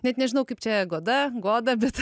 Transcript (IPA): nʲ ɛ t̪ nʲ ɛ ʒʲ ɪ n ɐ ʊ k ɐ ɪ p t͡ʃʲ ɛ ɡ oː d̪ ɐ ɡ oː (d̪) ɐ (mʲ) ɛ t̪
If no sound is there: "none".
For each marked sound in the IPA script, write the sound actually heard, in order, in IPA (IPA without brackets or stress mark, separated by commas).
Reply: d̪, bʲ